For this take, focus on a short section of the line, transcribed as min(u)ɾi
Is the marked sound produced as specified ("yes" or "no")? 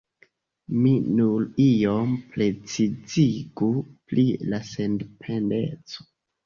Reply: yes